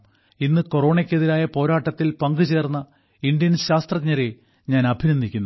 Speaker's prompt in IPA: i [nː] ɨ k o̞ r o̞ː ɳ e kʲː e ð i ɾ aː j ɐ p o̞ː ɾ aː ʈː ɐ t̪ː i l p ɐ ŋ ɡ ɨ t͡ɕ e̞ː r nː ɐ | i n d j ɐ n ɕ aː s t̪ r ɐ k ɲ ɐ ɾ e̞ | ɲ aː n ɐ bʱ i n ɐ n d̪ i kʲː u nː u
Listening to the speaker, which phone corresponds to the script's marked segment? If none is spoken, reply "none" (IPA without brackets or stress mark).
nː